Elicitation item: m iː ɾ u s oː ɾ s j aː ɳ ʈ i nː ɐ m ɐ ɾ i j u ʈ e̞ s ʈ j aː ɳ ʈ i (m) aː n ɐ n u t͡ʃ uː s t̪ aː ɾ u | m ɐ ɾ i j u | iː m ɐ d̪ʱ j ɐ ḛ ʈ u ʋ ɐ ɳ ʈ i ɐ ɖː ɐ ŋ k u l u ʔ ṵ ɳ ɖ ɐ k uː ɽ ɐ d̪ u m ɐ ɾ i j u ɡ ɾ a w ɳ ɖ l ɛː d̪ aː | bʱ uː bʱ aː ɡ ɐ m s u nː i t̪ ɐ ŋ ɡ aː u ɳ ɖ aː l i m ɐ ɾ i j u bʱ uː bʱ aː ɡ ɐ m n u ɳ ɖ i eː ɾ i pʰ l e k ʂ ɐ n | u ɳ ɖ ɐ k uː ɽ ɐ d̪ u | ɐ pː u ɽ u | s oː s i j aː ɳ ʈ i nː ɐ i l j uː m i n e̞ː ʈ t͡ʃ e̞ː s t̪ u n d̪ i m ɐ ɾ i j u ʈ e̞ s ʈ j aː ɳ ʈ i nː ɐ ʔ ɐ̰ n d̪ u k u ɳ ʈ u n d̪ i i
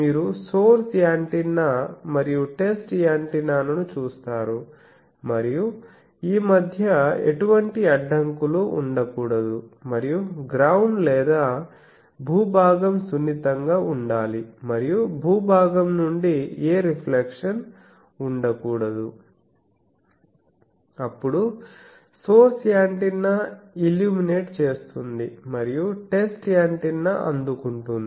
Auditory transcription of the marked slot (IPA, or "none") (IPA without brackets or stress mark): n